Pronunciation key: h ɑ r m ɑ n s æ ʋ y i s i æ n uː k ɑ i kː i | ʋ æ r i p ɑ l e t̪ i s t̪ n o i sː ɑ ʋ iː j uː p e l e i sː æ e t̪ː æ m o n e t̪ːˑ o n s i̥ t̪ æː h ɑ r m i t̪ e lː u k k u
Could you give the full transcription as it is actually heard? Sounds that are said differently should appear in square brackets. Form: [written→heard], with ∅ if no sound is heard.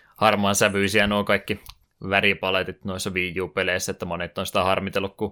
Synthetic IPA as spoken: h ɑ r m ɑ n s æ ʋ y i s i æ n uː k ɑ i kː i | ʋ æ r i p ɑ l e t̪ i [s→∅] t̪ n o i sː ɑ ʋ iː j uː p e l e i sː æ e t̪ː æ m o n e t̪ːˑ o n s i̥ t̪ [æː→æ] h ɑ r m i t̪ e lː u k k u